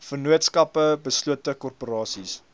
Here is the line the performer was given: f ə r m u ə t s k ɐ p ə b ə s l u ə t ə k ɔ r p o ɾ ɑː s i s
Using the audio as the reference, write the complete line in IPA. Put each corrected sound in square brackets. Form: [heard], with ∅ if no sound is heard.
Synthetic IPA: f ə r [n] u ə t s k ɐ p ə b ə s l u ə t ə k ɔ r p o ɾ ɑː s i s